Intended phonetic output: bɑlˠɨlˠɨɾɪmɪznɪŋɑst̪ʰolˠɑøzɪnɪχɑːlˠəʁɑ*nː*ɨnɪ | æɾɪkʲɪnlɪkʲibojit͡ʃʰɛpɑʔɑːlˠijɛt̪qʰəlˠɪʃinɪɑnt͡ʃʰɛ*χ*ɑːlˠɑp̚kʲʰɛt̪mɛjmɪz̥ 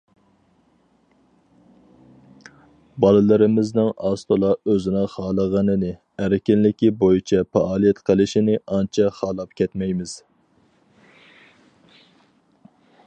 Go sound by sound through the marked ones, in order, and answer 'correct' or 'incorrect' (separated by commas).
incorrect, correct